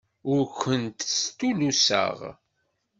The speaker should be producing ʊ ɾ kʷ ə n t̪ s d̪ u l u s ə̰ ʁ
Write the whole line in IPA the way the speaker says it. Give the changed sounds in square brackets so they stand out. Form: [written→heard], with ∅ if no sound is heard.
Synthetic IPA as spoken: ʊ ɾ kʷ ə n t̪ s [d̪→t̪] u l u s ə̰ ʁ